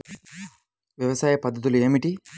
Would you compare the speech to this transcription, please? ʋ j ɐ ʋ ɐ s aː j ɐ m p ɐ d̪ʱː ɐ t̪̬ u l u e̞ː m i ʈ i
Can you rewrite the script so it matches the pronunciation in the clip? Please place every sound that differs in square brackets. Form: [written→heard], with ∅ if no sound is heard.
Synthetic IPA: ʋ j ɐ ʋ ɐ s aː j ɐ [m→∅] p ɐ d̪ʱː ɐ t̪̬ u l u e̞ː m i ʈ i